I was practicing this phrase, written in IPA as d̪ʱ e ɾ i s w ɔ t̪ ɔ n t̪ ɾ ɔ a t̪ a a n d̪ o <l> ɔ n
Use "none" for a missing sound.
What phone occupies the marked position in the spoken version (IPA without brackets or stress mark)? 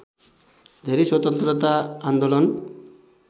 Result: l